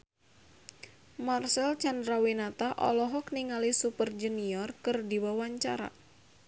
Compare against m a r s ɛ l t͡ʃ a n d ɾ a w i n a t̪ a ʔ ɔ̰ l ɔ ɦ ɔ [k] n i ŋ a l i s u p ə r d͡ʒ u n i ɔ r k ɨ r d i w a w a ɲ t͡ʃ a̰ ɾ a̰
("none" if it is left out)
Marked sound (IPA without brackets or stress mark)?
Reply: k